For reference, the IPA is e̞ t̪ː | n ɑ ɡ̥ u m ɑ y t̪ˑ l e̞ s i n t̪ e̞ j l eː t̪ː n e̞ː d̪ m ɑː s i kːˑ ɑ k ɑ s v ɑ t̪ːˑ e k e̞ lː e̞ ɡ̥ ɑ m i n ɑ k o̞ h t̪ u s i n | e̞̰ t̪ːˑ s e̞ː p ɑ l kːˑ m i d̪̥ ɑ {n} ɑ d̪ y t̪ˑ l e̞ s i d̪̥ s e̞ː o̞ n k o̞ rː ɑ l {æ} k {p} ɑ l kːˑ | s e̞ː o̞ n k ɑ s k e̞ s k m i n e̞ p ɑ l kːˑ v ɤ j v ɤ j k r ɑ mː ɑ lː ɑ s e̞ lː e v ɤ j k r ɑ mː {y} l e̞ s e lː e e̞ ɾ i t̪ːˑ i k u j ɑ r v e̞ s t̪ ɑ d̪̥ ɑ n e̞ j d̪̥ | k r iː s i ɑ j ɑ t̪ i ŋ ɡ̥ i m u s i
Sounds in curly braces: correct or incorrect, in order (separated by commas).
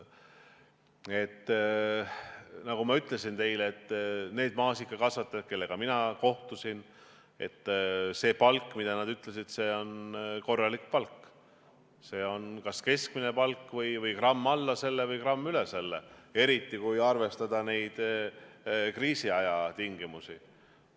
correct, incorrect, correct, correct